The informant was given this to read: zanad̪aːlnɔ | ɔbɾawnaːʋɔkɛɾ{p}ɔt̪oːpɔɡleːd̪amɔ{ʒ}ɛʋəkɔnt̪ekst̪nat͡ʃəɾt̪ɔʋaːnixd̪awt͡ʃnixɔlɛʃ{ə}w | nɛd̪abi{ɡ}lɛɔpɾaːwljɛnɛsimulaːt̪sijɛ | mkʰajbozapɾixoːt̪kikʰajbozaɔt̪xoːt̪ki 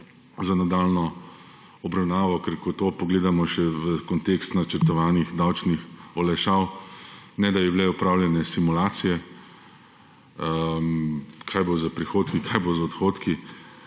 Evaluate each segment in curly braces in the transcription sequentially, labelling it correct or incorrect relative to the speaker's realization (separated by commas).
incorrect, incorrect, incorrect, incorrect